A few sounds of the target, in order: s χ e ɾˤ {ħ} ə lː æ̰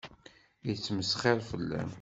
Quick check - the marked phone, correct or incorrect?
incorrect